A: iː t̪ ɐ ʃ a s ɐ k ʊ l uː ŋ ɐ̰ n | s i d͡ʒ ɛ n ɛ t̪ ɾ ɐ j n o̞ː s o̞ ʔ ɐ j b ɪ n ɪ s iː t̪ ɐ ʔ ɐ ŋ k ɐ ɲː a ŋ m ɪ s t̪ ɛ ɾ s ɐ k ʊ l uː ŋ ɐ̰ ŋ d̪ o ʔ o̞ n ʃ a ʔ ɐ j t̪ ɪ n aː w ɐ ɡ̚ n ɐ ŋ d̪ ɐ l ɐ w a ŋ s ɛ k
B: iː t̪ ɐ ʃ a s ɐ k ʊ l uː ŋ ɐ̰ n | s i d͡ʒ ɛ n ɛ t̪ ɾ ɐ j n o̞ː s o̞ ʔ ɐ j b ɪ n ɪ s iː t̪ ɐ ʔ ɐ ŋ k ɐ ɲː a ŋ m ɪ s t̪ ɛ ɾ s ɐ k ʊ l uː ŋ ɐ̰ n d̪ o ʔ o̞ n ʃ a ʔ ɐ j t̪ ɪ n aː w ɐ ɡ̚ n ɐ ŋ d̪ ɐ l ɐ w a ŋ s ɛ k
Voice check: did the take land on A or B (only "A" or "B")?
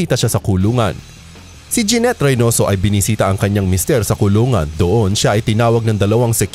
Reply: B